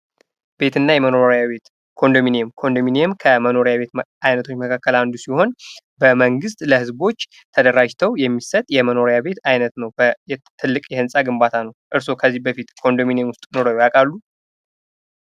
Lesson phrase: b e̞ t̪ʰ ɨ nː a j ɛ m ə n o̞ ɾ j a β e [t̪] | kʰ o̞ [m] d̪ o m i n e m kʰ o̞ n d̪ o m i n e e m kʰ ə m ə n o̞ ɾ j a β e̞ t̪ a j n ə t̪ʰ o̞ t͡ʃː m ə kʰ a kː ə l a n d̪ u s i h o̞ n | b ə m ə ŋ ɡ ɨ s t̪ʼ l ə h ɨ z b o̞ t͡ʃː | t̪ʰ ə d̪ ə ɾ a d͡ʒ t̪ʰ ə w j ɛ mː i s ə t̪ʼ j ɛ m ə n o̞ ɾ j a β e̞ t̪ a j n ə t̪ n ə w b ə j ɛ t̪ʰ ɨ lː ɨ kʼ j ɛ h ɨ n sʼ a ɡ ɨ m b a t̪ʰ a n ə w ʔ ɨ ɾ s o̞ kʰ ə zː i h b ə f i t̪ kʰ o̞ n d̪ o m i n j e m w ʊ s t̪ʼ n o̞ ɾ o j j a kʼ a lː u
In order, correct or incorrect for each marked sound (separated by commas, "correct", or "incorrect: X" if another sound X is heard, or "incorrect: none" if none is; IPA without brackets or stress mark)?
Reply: correct, incorrect: n